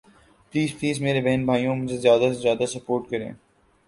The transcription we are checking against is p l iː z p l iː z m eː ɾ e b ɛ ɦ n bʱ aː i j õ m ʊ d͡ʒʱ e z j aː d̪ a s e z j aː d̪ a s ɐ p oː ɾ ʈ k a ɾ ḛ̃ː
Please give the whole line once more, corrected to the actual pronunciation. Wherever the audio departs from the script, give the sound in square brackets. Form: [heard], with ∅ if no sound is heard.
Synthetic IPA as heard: p l iː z p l iː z m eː ɾ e b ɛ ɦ n bʱ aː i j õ m ʊ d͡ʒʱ e z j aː d̪ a s e z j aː d̪ a s ɐ p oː ɾ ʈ k [ɐ] ɾ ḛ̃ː